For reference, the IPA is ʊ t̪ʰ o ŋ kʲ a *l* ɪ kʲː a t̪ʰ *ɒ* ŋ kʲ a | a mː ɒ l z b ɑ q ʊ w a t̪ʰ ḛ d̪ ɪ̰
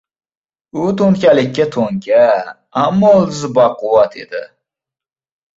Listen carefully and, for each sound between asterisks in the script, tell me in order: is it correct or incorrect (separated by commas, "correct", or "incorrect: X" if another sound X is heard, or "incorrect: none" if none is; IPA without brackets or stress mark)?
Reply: correct, incorrect: o